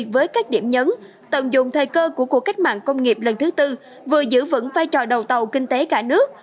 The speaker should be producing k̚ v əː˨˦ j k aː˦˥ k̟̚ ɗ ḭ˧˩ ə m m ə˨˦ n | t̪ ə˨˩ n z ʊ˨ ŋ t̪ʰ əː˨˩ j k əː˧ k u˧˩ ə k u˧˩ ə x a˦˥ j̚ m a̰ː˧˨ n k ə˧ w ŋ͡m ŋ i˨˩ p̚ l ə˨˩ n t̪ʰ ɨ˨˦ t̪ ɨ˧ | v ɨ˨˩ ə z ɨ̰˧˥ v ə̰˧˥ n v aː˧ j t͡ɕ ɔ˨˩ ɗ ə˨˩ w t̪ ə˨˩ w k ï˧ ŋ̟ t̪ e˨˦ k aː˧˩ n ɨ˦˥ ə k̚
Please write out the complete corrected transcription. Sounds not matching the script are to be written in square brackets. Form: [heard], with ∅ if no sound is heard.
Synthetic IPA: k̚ v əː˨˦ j k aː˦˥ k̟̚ ɗ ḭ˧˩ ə m [ɲ] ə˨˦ n | t̪ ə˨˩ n z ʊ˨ [ŋ͡m] t̪ʰ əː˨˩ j k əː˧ k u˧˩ ə k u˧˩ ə [k] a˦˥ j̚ m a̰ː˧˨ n k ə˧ w ŋ͡m ŋ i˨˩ p̚ l ə˨˩ n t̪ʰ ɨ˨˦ t̪ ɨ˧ | v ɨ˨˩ ə z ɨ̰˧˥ v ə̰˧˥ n v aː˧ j t͡ɕ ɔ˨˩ ɗ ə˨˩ w t̪ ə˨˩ w k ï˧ ŋ̟ t̪ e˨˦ k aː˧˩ n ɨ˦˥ ə k̚